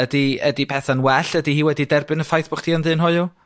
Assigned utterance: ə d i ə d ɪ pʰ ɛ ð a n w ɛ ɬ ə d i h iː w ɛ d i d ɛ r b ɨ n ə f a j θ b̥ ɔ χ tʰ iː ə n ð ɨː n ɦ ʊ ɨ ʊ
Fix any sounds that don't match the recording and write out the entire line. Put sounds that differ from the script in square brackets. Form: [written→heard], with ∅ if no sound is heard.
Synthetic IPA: ə d i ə d [ɪ→i] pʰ ɛ [ð→θ] a n w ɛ ɬ ə d i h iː w ɛ d i d ɛ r b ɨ n ə f a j θ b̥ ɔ χ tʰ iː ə n ð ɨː n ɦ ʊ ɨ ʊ